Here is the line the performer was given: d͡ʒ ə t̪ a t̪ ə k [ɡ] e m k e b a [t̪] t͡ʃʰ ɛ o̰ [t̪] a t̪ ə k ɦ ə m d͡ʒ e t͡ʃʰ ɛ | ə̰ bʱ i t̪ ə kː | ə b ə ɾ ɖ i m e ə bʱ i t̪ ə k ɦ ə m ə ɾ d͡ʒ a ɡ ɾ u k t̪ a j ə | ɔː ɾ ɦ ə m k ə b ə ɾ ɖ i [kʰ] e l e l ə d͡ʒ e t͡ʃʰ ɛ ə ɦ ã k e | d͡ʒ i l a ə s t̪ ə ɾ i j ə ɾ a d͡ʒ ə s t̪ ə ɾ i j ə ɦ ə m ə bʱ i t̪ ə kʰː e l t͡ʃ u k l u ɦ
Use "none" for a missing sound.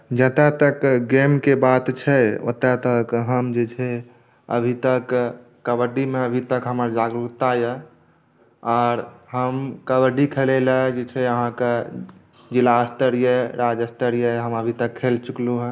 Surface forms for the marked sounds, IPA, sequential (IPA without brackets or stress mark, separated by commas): ɡ, t̪, t̪, kʰ